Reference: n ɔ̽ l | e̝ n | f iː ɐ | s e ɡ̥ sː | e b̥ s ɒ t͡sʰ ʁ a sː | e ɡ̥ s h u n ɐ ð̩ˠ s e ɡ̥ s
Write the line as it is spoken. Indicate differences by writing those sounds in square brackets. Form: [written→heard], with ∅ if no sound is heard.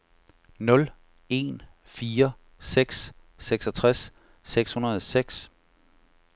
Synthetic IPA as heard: n ɔ̽ l | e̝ n | f iː ɐ | s e ɡ̥ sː | e [b̥→ɡ̥] s ɒ t͡sʰ ʁ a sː | e ɡ̥ s h u n ɐ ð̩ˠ s e ɡ̥ s